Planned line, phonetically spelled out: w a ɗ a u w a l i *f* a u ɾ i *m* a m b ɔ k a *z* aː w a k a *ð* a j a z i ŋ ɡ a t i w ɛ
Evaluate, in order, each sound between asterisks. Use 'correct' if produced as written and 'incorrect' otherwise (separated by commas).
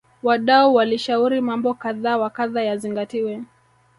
incorrect, correct, incorrect, correct